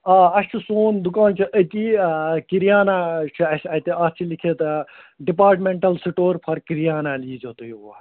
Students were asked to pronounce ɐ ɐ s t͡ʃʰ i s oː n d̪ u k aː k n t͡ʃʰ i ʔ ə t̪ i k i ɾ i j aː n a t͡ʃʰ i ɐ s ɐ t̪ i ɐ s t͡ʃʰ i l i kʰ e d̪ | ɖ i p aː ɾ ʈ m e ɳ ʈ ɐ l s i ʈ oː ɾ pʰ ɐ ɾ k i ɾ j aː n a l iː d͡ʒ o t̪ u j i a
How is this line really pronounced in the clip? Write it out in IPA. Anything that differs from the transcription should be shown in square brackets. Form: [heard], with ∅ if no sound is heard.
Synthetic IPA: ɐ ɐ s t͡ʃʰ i s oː n d̪ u k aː [∅] n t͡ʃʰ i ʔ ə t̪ i k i ɾ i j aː n a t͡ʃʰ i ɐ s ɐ t̪ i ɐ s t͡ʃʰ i l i kʰ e [t̪] | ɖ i p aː ɾ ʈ m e ɳ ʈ ɐ l s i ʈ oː ɾ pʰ ɐ ɾ k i ɾ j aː n a l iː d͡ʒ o t̪ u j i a